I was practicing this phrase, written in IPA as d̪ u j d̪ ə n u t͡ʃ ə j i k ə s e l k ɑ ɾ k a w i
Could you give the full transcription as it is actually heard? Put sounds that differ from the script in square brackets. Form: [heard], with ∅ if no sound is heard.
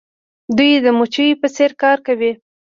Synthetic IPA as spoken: d̪ u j d̪ ə [m] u t͡ʃ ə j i [p] ə s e [ɾ] k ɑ ɾ k a w i

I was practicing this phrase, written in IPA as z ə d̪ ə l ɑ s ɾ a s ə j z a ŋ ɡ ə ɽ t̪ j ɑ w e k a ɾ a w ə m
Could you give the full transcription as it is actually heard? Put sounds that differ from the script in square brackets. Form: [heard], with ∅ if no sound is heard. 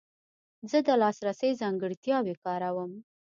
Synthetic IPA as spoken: z ə d̪ ə l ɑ s ɾ a s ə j z [ɑ] ŋ ɡ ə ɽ t̪ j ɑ w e k [ɑ] ɾ a w ə m

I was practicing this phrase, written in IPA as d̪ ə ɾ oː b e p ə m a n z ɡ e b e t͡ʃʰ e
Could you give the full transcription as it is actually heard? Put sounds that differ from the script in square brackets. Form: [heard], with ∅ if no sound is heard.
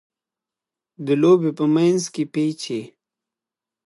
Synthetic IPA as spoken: d̪ ə [l] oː b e p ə m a n z [k] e [p] e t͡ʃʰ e

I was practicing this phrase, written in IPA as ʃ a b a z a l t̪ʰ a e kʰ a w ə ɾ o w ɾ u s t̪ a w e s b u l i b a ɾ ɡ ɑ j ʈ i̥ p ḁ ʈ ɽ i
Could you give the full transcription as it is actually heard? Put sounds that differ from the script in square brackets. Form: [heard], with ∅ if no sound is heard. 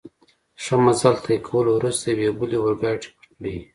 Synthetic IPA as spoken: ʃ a [m] a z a l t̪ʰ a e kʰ a w ə [l] o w ɾ u s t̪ a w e [∅] b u l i [w] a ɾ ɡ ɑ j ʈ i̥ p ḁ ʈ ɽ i

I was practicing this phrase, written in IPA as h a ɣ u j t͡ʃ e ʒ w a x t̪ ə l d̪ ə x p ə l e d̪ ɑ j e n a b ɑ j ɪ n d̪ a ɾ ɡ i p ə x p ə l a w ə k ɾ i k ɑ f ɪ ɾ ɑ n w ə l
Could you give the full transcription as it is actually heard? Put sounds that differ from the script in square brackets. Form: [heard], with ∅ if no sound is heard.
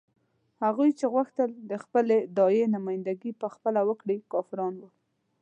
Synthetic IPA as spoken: h a ɣ u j t͡ʃ e [ɣ] w a x t̪ ə l d̪ ə x p ə l e d̪ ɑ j e n a [m] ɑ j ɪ n d̪ a [∅] ɡ i p ə x p ə l a w ə k [ɽ] i k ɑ f ɪ ɾ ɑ n w ə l

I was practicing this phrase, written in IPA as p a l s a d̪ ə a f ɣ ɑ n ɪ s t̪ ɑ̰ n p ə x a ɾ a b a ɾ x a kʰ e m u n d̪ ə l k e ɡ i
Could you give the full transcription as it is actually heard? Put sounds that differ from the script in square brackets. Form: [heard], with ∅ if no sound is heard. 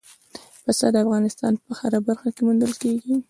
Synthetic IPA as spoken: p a [∅] s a d̪ ə a f ɣ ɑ n ɪ s t̪ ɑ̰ n p ə x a ɾ a b a ɾ x a [k] e m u n d̪ ə l k e ɡ i

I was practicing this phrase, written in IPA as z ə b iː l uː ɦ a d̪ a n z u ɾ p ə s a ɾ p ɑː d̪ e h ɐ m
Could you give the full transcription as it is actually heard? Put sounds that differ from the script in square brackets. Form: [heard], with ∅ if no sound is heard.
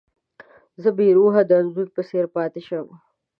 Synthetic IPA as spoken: z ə b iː [ɾ] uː ɦ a d̪ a n z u ɾ p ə s [e] ɾ p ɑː [t̪] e [ʃ] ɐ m

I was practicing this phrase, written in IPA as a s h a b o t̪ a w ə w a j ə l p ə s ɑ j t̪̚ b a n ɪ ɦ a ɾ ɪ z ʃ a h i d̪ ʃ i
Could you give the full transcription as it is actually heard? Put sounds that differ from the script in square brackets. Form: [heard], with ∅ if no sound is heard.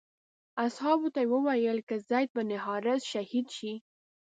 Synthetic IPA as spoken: a s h [ɑ] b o t̪ a w ə w a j ə l [k] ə [z] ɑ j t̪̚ b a n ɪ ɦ [ɑ] ɾ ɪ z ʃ a h i d̪ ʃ i

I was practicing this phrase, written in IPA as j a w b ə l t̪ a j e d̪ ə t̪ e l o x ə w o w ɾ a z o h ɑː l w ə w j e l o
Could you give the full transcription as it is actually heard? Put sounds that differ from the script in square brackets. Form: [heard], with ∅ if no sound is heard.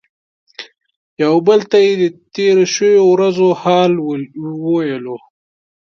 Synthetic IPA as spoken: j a w b ə l t̪ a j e d̪ ə t̪ e [ɾ] o [ʃ] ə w o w ɾ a z o h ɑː l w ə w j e l o

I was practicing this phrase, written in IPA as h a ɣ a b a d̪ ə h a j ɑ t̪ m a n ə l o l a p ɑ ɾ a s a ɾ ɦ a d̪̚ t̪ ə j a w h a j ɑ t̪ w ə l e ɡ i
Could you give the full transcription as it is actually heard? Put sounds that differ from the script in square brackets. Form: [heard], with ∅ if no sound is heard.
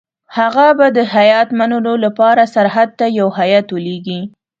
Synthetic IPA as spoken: h a ɣ a b a d̪ ə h a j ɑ t̪ m a n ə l o l a p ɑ ɾ a s a ɾ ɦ a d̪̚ t̪ [a] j a w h a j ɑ t̪ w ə l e ɡ i

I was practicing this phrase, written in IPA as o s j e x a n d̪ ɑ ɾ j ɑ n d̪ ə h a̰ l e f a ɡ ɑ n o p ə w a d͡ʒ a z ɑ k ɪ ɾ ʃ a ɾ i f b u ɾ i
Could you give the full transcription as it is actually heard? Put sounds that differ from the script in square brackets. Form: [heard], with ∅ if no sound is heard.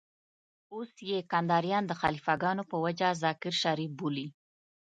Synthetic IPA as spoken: o s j e [k] a n d̪ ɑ ɾ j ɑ n d̪ ə [x] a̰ l [i] f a ɡ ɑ n o p ə w a d͡ʒ a z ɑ k ɪ ɾ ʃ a ɾ i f b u [l] i

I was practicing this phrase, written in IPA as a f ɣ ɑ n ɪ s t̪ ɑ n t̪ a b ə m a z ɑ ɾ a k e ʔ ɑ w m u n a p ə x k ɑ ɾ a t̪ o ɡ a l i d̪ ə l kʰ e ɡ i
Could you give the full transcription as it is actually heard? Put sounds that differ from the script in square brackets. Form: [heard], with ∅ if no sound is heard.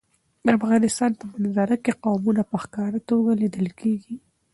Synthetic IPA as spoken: a f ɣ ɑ n ɪ s t̪ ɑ n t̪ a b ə [n] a z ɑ ɾ a k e [q] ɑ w m u n a p ə x k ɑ ɾ a t̪ o ɡ a l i d̪ ə l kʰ e ɡ i

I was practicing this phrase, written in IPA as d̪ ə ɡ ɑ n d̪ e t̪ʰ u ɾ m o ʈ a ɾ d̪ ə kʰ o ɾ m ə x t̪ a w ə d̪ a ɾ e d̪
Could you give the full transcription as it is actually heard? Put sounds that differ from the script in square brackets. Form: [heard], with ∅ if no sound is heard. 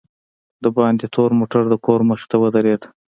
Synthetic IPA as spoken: d̪ ə [b] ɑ n d̪ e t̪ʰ [o] ɾ m o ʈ a ɾ d̪ ə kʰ o ɾ m ə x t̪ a w ə d̪ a ɾ e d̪

